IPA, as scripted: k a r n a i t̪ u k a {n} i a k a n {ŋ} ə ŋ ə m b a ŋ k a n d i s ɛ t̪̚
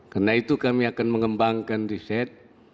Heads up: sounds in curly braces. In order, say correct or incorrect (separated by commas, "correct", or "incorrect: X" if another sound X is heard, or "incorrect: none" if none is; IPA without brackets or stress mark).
incorrect: m, incorrect: m